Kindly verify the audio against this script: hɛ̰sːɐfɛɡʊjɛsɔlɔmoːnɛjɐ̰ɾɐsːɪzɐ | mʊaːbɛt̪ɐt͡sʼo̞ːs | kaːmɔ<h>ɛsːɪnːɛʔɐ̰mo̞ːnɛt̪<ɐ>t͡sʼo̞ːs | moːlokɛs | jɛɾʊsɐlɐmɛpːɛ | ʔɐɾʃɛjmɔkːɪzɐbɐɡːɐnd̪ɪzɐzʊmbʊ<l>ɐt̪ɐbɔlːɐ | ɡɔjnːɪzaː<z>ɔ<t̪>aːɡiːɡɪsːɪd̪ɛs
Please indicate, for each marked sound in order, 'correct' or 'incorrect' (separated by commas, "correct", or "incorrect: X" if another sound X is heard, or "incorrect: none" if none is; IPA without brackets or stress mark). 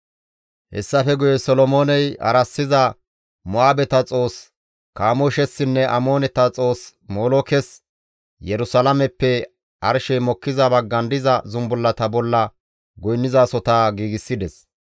incorrect: ʃ, correct, incorrect: lː, incorrect: s, correct